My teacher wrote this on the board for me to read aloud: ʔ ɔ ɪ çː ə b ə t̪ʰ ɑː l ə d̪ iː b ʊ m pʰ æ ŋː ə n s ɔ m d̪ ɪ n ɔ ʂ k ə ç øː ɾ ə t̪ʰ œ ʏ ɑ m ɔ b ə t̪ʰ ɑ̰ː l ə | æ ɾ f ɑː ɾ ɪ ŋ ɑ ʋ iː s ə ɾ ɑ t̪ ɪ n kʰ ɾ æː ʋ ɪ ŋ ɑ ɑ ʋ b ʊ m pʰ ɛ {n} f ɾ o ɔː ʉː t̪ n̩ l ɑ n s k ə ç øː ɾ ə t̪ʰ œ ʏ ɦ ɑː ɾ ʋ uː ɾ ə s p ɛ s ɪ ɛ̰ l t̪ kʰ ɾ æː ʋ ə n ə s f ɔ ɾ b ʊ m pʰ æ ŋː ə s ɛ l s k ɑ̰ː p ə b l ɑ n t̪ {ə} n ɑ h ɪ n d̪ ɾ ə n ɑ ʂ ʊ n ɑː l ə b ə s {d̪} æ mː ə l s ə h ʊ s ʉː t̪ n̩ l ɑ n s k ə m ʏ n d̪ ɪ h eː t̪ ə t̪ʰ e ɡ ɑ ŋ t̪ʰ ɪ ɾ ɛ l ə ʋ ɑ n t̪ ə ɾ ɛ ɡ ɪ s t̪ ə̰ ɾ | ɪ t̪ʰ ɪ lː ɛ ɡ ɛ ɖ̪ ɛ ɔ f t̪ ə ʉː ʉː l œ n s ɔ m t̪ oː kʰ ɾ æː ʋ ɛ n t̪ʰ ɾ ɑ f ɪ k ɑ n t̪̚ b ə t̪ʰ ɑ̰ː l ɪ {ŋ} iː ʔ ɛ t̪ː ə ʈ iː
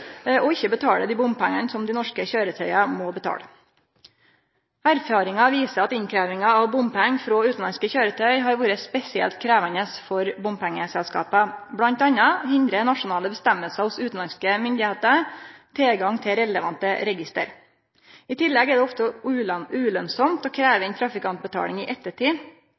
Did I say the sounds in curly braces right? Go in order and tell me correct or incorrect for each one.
incorrect: ŋ, incorrect: ɑ, incorrect: t̪, correct

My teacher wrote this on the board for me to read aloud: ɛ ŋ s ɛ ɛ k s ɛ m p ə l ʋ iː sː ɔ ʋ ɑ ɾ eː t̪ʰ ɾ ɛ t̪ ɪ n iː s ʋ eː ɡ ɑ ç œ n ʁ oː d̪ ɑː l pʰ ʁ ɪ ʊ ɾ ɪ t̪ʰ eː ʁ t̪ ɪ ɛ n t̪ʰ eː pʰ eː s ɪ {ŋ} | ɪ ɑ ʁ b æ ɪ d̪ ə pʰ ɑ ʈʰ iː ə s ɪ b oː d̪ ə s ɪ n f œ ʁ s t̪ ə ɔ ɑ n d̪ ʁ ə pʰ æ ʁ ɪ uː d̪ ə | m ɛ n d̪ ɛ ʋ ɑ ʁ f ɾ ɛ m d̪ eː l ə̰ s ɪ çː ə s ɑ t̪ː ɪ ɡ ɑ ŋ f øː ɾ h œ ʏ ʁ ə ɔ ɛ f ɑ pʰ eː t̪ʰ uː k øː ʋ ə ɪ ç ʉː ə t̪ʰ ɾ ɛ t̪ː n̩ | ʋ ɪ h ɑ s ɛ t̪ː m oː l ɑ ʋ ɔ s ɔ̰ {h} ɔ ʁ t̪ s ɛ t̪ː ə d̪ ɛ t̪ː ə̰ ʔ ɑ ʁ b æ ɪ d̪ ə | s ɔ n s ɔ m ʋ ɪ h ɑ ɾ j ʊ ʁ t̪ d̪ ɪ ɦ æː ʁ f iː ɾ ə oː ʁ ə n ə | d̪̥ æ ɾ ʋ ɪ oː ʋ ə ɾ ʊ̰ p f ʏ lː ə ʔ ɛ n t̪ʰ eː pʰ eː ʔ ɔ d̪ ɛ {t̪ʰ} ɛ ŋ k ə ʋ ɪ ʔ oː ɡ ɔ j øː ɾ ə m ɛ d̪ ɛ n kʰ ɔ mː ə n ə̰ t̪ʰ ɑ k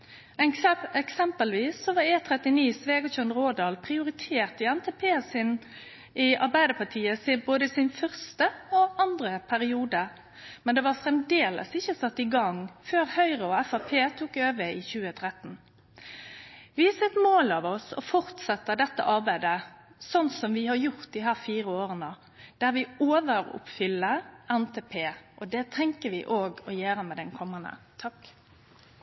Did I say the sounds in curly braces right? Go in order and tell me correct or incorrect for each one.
incorrect: n, incorrect: f, correct

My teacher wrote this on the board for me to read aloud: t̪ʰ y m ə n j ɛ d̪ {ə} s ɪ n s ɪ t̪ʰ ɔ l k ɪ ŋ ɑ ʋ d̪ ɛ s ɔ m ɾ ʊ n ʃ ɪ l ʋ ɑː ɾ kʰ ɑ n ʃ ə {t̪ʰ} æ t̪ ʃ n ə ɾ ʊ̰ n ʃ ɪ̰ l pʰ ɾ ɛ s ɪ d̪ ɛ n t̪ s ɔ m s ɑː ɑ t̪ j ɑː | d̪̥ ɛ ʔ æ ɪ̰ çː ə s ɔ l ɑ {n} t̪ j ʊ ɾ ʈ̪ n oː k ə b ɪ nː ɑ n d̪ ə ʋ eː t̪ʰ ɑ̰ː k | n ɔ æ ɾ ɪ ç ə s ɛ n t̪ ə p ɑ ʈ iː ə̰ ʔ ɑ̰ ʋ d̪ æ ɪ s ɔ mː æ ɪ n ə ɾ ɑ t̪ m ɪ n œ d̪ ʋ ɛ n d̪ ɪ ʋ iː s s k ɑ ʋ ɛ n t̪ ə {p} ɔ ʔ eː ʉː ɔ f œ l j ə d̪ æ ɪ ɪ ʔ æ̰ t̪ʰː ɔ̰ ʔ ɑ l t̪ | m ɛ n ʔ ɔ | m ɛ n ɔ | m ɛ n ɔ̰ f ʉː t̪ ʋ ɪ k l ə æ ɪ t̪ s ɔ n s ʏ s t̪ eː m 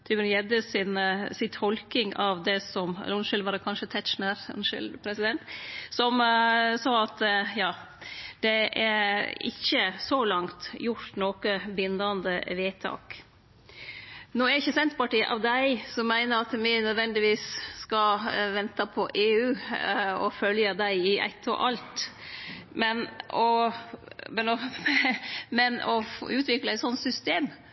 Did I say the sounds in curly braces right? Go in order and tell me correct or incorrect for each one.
correct, correct, incorrect: ŋ, incorrect: pʰ

